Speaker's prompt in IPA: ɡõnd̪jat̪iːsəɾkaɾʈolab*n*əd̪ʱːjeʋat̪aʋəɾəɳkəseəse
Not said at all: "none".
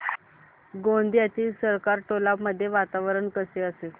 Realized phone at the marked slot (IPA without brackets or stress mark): m